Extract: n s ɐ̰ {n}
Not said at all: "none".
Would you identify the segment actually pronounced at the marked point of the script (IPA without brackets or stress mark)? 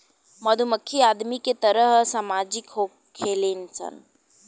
n